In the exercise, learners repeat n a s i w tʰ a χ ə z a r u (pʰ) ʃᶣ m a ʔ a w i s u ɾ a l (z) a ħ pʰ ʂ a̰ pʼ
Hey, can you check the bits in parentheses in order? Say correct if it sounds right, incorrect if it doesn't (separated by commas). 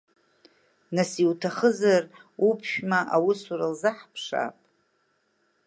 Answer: correct, correct